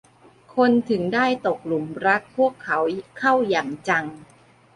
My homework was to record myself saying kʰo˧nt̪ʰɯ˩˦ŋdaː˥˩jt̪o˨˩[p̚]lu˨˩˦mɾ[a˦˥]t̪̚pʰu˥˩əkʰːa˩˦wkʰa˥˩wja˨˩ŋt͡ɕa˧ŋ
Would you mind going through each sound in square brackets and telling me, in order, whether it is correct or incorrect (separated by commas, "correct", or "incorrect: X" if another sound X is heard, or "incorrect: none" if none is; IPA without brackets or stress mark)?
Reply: incorrect: k̚, correct